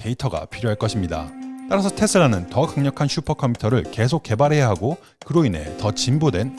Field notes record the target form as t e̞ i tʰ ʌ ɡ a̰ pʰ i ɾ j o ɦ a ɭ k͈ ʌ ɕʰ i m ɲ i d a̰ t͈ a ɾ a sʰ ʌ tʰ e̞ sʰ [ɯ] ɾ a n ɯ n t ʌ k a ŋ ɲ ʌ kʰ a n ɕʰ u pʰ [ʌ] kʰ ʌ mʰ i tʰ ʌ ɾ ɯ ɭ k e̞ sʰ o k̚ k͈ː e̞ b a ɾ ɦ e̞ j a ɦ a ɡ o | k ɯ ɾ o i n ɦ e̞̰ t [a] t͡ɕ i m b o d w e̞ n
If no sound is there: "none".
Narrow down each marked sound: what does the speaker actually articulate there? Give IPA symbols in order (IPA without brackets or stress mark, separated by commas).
ɯ, ʌ, ʌ